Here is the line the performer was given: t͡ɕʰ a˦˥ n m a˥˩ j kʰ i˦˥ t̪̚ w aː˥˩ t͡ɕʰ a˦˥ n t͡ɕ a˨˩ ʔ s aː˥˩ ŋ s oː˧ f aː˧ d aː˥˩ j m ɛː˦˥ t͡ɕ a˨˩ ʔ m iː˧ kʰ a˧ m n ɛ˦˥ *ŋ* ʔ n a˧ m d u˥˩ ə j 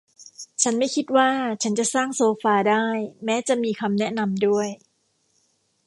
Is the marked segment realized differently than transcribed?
yes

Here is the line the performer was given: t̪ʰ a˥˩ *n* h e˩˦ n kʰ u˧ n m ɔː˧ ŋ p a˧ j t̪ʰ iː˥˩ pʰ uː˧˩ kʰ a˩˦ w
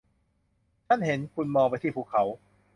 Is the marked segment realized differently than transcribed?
no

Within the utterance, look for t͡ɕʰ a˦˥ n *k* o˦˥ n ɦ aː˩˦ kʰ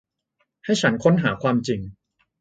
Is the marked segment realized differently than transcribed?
yes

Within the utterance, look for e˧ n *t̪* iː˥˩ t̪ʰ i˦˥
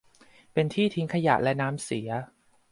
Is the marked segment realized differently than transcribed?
yes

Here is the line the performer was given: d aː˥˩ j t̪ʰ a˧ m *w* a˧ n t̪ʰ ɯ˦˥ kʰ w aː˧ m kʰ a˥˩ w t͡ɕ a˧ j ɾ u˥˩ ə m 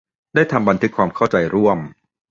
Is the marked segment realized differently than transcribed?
yes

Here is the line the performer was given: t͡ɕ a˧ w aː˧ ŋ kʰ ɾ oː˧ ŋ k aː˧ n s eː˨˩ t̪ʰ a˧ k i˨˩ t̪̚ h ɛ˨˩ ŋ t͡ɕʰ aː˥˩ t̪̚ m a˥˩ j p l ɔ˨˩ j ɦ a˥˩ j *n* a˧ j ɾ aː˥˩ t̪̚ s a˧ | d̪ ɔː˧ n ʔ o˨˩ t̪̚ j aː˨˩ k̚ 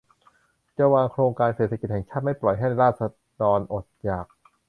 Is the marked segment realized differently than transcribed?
no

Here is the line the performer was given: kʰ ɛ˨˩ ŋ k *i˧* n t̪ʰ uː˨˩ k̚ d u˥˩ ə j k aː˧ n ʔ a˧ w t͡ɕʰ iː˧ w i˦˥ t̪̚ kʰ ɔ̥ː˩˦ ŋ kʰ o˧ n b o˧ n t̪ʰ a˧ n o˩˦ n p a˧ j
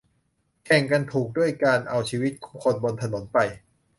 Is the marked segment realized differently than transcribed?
yes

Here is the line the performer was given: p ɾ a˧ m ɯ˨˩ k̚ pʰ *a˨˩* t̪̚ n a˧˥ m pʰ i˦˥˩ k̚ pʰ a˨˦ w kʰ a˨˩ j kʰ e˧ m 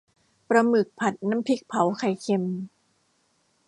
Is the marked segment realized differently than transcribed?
no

